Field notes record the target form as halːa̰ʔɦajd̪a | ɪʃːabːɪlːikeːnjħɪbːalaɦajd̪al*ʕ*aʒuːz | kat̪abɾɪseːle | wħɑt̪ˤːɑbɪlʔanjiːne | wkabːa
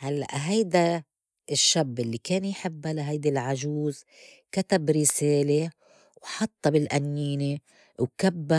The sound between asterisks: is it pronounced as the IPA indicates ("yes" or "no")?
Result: yes